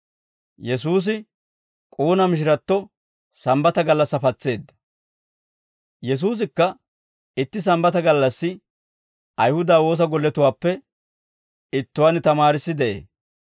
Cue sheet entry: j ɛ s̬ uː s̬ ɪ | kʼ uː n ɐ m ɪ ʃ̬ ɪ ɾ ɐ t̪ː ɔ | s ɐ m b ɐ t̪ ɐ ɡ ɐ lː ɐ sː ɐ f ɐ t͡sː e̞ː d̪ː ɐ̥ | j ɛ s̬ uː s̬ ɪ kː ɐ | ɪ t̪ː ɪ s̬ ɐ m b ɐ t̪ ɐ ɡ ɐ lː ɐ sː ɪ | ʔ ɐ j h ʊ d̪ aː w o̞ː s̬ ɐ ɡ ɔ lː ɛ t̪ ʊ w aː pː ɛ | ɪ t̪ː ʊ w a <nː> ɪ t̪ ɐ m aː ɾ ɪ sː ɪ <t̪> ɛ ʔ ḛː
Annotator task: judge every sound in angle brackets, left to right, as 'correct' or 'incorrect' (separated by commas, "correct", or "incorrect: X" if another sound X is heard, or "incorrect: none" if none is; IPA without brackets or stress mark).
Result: incorrect: n, incorrect: d̪